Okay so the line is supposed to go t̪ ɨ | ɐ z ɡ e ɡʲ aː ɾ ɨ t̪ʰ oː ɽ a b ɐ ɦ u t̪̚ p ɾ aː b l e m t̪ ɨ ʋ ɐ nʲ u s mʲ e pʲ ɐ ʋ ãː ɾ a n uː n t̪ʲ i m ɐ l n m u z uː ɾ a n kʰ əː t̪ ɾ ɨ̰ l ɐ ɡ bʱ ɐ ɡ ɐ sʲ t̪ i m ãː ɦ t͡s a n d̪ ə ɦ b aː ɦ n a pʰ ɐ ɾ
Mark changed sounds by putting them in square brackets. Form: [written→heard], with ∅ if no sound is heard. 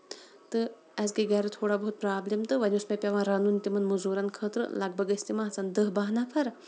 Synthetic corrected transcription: t̪ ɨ | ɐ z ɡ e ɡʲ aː ɾ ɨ t̪ʰ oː ɽ a b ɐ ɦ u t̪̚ p ɾ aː b l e m t̪ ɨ ʋ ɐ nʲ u s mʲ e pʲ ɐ ʋ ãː ɾ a n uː n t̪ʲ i m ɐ [l→∅] n m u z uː ɾ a n kʰ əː t̪ ɾ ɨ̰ l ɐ ɡ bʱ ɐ ɡ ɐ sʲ t̪ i m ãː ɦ t͡s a n d̪ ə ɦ b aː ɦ n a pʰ ɐ ɾ